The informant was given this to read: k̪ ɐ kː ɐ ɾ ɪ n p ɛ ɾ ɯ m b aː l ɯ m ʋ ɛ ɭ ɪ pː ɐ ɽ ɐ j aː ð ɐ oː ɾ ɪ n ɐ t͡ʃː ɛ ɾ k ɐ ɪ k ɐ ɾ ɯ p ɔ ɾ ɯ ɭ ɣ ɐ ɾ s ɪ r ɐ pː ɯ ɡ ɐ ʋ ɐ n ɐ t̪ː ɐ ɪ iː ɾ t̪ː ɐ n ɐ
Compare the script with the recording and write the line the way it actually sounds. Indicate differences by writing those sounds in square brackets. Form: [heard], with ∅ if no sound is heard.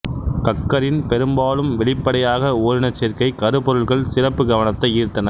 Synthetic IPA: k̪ ɐ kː ɐ ɾ ɪ n p ɛ ɾ ɯ m b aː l ɯ m ʋ ɛ ɭ ɪ pː ɐ ɽ ɐ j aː [ɣ] ɐ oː ɾ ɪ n ɐ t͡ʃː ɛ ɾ k ɐ ɪ k ɐ ɾ ɯ p ɔ ɾ ɯ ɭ ɣ ɐ [ɭ] s ɪ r ɐ pː ɯ ɡ ɐ ʋ ɐ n ɐ t̪ː ɐ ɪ iː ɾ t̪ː ɐ n ɐ